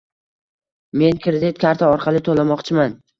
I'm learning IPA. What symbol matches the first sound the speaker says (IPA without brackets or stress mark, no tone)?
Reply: m